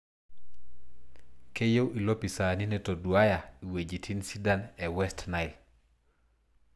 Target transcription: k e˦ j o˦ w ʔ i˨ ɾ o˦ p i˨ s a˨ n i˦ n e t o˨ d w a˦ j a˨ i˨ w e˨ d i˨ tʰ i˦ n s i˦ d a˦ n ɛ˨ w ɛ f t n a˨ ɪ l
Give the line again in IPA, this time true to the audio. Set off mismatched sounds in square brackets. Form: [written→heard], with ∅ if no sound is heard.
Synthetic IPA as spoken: k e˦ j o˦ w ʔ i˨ [ɾ→l] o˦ p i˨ s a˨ n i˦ n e t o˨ d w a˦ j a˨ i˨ w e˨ [d→d͡ʒ] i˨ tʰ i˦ n s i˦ d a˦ n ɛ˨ w ɛ [f→s] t n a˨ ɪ l